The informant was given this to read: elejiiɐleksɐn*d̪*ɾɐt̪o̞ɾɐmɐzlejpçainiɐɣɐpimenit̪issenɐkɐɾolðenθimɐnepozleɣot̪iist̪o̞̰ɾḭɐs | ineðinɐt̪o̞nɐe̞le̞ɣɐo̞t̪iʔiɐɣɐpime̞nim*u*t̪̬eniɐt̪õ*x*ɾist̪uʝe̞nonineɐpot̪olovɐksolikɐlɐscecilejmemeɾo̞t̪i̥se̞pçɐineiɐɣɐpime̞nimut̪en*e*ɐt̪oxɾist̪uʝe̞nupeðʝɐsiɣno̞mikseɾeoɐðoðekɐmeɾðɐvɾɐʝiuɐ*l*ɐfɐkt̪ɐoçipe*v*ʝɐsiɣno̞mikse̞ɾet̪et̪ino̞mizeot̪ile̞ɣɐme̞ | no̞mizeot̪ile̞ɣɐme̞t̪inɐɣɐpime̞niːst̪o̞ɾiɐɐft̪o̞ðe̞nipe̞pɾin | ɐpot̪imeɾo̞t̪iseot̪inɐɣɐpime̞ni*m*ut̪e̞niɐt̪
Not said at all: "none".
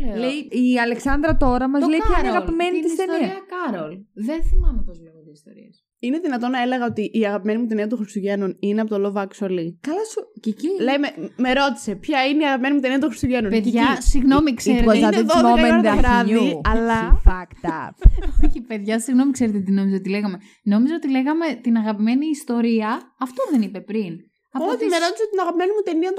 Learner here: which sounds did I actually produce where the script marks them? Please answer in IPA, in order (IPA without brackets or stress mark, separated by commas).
d̪, u, x, i, l, ð, m